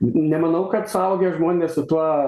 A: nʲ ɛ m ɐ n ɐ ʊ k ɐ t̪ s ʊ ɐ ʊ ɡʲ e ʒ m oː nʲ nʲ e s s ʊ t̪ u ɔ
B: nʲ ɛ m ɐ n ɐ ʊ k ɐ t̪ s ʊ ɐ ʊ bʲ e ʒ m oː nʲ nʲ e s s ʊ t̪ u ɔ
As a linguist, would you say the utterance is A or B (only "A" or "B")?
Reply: A